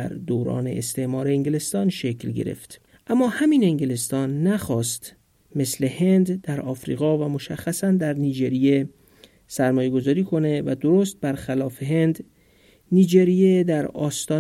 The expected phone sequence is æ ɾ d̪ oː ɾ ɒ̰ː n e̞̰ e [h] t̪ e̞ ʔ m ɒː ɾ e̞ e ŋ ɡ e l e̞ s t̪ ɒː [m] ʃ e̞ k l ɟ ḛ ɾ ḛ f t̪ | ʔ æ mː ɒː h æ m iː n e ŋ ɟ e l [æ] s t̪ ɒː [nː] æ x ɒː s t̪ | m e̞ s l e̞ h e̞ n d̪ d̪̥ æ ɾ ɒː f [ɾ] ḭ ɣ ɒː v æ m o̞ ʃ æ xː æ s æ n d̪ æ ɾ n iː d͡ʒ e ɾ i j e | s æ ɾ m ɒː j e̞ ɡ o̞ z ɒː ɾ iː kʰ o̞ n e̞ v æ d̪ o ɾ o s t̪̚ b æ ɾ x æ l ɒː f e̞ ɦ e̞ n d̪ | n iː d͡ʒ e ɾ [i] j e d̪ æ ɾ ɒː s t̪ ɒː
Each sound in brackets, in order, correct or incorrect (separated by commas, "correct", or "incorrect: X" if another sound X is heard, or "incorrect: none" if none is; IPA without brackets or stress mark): incorrect: s, incorrect: n, incorrect: e, correct, correct, correct